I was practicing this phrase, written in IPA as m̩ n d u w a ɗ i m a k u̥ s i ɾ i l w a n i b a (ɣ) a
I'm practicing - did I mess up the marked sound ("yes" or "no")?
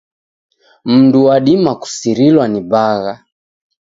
no